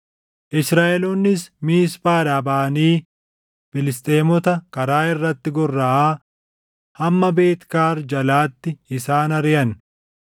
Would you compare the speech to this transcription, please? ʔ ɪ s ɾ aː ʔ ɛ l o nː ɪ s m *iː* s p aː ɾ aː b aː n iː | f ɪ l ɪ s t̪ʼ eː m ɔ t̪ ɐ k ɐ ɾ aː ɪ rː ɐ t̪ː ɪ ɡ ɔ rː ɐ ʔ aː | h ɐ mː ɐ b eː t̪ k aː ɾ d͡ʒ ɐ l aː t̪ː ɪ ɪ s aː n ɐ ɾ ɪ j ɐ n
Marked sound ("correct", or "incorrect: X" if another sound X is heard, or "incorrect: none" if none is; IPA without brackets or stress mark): correct